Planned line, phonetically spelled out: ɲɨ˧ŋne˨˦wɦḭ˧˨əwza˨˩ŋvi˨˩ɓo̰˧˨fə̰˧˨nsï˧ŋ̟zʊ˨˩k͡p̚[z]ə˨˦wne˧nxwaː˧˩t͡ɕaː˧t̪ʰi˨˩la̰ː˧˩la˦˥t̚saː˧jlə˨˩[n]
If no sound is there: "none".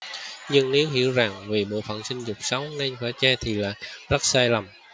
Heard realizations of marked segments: s, m

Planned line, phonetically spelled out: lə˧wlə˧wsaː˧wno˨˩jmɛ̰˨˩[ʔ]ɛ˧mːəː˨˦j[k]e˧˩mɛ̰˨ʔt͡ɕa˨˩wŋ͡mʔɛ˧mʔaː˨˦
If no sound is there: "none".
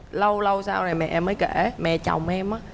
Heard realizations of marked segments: ʔ, k

